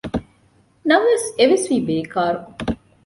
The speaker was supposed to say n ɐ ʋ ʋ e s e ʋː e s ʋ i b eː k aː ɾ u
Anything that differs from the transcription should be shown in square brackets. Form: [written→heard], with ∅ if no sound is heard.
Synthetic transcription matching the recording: n ɐ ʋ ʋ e s e [ʋː→ʋ] e s ʋ [i→iː] b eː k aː ɾ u